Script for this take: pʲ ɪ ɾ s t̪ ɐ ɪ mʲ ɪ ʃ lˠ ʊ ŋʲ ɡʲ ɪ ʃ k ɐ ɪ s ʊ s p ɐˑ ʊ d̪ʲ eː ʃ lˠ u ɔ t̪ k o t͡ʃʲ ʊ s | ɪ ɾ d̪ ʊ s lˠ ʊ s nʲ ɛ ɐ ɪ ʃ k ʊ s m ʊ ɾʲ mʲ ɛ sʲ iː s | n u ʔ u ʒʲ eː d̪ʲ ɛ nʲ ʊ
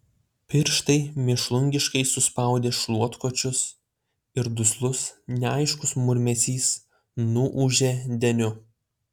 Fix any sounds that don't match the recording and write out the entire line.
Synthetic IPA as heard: pʲ ɪ ɾ ʃ t̪ ɐ ɪ mʲ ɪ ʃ lˠ ʊ ŋʲ ɡʲ ɪ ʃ k ɐ ɪ s ʊ s p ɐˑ ʊ d̪ʲ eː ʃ lˠ u ɔ t̪ k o t͡ʃʲ ʊ s | ɪ ɾ d̪ ʊ s lˠ ʊ s nʲ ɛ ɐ ɪ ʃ k ʊ s m ʊ ɾʲ mʲ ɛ sʲ iː s | n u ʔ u ʒʲ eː d̪ʲ ɛ nʲ ʊ